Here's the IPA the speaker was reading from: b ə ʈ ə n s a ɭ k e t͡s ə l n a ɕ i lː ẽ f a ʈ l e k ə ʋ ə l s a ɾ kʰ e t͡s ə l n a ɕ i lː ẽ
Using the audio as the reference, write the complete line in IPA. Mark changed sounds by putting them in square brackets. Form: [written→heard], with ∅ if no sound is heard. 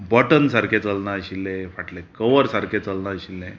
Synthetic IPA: b ə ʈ ə n s a [ɭ→ɾ] k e t͡s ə l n a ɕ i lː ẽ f a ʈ l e k ə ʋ ə [l→ɾ] s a ɾ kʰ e t͡s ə l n a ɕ i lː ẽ